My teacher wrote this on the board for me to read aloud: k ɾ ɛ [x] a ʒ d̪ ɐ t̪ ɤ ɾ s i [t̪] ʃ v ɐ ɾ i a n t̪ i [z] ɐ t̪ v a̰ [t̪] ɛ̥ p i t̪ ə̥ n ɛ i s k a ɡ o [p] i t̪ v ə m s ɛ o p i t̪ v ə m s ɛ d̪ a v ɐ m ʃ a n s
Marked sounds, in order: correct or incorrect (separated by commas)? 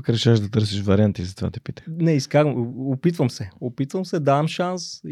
incorrect, incorrect, correct, correct, correct